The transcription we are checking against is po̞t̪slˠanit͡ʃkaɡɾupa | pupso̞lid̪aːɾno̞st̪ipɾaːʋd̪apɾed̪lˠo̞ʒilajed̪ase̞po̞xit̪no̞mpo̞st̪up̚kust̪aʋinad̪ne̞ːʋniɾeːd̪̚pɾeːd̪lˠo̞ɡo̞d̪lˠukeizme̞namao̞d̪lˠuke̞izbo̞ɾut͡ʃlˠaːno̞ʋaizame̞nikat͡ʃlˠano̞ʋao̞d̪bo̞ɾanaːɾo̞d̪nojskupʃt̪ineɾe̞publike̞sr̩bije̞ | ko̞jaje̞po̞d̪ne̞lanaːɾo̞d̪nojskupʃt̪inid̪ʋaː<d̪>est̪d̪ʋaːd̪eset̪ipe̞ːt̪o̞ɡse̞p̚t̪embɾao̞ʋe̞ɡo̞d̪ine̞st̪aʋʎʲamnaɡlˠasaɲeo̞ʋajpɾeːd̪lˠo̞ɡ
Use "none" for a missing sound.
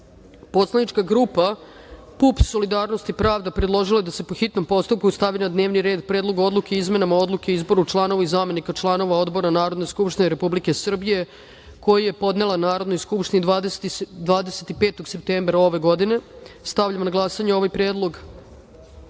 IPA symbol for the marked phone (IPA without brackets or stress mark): d̪